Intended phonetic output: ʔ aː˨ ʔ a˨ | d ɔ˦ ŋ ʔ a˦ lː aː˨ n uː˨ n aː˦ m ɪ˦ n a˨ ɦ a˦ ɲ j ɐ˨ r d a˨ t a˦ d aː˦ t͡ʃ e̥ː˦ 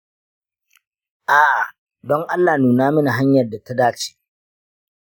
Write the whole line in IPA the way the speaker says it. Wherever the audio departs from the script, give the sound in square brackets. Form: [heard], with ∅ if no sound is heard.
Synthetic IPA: ʔ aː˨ ʔ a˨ | d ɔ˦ ŋ ʔ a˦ lː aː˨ n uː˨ n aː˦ m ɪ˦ n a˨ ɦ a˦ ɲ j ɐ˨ r d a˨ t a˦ d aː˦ t͡ʃ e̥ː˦